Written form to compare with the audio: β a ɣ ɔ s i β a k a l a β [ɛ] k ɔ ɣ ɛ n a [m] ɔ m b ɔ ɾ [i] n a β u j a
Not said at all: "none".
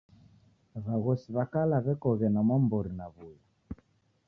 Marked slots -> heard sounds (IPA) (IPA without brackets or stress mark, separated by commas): ɛ, m, i